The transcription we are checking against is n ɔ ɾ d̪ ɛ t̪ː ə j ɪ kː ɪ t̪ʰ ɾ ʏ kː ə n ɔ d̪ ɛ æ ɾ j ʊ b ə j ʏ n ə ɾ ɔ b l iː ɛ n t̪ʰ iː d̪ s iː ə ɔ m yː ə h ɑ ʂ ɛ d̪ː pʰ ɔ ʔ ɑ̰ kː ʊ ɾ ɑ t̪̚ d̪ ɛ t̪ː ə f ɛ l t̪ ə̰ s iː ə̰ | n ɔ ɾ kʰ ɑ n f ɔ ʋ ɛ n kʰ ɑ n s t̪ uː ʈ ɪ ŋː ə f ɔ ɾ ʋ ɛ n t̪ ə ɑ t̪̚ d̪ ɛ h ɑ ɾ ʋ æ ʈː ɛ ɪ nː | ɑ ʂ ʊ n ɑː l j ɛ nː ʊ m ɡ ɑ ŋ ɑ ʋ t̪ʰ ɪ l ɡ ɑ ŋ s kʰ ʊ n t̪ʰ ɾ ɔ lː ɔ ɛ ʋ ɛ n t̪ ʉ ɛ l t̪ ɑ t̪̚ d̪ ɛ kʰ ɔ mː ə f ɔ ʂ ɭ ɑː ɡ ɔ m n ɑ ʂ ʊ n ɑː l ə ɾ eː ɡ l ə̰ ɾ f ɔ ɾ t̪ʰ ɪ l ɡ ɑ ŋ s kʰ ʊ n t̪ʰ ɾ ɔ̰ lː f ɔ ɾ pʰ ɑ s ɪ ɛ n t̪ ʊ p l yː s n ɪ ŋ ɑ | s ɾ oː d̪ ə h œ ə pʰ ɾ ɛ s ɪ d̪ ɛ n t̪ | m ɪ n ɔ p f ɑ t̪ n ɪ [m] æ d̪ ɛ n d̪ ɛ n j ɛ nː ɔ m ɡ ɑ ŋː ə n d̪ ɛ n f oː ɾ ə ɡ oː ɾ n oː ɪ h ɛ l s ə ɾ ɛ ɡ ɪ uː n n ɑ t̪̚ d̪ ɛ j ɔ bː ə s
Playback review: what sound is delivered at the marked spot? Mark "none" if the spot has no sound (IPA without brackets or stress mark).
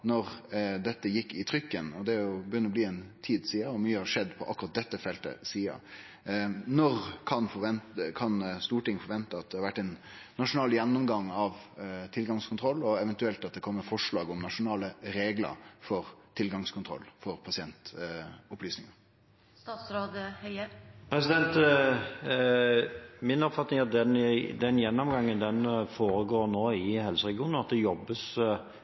ŋ